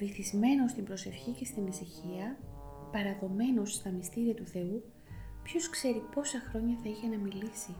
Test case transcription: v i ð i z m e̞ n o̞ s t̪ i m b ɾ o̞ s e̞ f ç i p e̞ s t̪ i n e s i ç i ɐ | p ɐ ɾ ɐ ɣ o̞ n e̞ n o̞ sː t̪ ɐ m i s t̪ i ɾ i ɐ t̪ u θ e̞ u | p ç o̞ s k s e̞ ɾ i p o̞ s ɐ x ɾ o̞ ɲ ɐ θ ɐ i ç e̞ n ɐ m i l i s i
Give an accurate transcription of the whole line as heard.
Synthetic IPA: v i θ i z m e̞ n o̞ s t̪ i m b ɾ o̞ s e̞ f ç i c e̞ s t̪ i n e s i ç i ɐ | p ɐ ɾ ɐ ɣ o̞ m e̞ n o̞ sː t̪ ɐ m i s t̪ i ɾ i ɐ t̪ u θ e̞ u | p ç o̞ s k s e̞ ɾ i p o̞ s ɐ x ɾ o̞ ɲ ɐ θ ɐ i ç e̞ n ɐ m i l i s i